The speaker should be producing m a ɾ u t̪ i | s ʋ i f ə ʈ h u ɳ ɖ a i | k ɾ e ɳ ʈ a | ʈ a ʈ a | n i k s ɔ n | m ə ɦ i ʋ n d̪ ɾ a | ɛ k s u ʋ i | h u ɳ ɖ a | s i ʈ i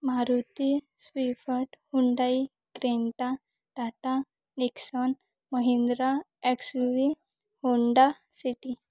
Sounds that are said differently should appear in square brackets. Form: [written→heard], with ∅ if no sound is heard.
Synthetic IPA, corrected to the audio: m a ɾ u t̪ i | s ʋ i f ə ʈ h u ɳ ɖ a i | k ɾ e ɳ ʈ a | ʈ a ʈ a | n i k s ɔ n | m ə ɦ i [ʋ→∅] n d̪ ɾ a | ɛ k s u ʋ i | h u ɳ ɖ a | s i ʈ i

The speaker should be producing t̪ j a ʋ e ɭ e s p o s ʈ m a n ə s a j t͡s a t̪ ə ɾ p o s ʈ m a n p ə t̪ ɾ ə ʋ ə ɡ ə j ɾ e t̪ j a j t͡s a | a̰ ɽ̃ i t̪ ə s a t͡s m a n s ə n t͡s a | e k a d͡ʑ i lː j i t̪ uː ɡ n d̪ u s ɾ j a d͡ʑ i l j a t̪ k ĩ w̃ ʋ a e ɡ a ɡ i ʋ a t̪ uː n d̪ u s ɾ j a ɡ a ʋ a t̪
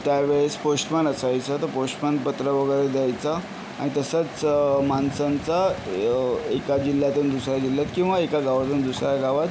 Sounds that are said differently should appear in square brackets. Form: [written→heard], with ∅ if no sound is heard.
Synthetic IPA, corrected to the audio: t̪ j a ʋ e ɭ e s p o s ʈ m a n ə s a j t͡s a t̪ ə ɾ p o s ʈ m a n p ə t̪ ɾ ə ʋ ə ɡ ə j ɾ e [t̪→d̪] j a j t͡s a | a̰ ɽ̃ i t̪ ə s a t͡s m a n s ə n t͡s a | e k a d͡ʑ i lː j [i→a] t̪ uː [ɡ→∅] n d̪ u s ɾ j a d͡ʑ i l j a t̪ k ĩ w̃ ʋ a e [ɡ→k] a ɡ [i→a] ʋ a t̪ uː n d̪ u s ɾ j a ɡ a ʋ a t̪

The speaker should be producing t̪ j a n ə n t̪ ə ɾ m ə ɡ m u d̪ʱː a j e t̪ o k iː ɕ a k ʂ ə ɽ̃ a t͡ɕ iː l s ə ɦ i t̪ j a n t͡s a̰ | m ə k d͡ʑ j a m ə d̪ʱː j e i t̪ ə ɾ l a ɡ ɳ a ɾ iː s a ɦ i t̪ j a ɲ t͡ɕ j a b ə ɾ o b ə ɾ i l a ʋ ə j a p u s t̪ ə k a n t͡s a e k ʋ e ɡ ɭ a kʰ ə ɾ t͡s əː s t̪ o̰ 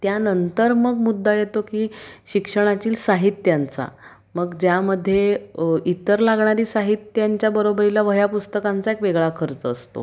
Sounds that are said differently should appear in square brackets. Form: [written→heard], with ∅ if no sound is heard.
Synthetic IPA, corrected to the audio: t̪ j a n ə n t̪ ə ɾ m ə ɡ m u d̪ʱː a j e t̪ o k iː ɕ [a→i] k ʂ ə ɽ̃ a t͡ɕ iː l s [ə→a] ɦ i t̪ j a n t͡s a̰ | m ə [k→ɡ] d͡ʑ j a m ə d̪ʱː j e i t̪ ə ɾ l a ɡ ɳ a ɾ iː s a ɦ i t̪ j a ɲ t͡ɕ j a b ə ɾ o b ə ɾ i l a ʋ ə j a p u s t̪ ə k a n t͡s a e k ʋ e ɡ ɭ a kʰ ə ɾ t͡s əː s t̪ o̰

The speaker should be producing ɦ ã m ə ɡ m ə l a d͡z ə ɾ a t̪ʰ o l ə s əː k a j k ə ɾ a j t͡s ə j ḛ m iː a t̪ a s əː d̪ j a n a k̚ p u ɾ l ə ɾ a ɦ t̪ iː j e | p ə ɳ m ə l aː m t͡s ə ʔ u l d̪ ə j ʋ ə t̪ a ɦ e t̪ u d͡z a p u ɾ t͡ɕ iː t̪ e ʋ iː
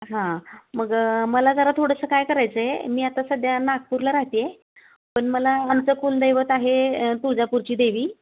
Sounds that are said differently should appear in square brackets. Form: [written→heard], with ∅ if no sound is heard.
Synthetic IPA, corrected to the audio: ɦ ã m ə ɡ m ə l a d͡z ə ɾ a t̪ʰ o [l→ɽ] ə s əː k a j k ə ɾ a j t͡s ə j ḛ m iː a t̪ a s [əː→ə] d̪ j a n a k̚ p u ɾ l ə ɾ a ɦ t̪ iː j e | p ə ɳ m ə l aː m t͡s ə [ʔ→k] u l d̪ ə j ʋ ə t̪ a ɦ e t̪ u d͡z a p u ɾ t͡ɕ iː [t̪→d̪] e ʋ iː

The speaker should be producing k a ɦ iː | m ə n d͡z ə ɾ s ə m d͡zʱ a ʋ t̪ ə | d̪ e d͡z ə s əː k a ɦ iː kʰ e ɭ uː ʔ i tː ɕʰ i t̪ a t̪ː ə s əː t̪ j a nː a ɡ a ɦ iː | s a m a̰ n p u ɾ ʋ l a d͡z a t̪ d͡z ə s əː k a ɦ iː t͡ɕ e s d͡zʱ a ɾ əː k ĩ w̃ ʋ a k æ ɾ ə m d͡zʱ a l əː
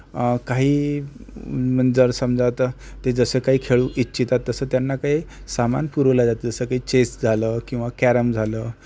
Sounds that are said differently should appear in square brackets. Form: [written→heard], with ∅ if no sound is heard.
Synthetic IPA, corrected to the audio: k a ɦ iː | m ə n d͡z ə ɾ s ə m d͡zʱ a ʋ t̪ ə | [d̪→t̪] e d͡z ə s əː k a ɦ iː kʰ e ɭ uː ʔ i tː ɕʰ i t̪ a t̪ː ə s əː t̪ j a nː a [ɡ→k] a ɦ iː | s a m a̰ n p u ɾ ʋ l a d͡z a t̪ d͡z ə s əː k a ɦ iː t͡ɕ e s d͡zʱ a [ɾ→l] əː k ĩ w̃ ʋ a k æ ɾ ə m d͡zʱ a l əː

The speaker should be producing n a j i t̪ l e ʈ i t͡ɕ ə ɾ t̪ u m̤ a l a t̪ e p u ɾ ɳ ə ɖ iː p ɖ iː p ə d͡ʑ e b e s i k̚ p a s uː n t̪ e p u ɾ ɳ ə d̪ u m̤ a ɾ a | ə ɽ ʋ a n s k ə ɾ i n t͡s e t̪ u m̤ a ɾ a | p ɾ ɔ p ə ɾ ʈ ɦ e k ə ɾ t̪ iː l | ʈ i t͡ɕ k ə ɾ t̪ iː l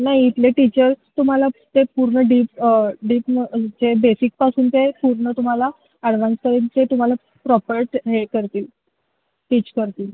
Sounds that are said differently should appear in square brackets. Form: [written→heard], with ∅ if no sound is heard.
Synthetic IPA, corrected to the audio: n a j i t̪ l e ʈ i t͡ɕ ə ɾ t̪ u m̤ a l a t̪ e p u ɾ ɳ ə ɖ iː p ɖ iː p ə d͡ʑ e b e s i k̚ p a s uː n t̪ e p u ɾ ɳ ə [d̪→t̪] u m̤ a [ɾ→l] a | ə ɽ ʋ a n s k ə ɾ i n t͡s e t̪ u m̤ a [ɾ→l] a | p ɾ ɔ p ə ɾ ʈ ɦ e k ə ɾ t̪ iː l | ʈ i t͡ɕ k ə ɾ t̪ iː l

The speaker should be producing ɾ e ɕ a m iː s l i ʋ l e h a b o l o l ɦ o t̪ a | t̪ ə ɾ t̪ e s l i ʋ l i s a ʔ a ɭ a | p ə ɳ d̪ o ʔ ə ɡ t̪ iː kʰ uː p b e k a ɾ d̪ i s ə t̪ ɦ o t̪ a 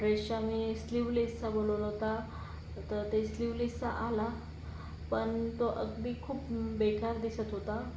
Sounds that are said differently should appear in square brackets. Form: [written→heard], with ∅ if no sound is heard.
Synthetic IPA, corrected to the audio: ɾ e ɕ a m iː s l i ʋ l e [h→s] a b o l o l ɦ o t̪ a | t̪ ə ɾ t̪ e s l i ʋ l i s a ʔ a [ɭ→l] a | p ə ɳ [d̪→t̪] o ʔ ə ɡ [t̪→d̪] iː kʰ uː p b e k a ɾ d̪ i s ə t̪ ɦ o t̪ a

